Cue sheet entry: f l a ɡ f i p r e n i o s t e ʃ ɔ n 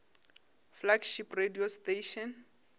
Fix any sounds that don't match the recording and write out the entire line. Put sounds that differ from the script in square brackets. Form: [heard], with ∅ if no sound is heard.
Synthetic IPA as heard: f l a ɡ [ʃ] i p r e [d] i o s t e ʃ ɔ n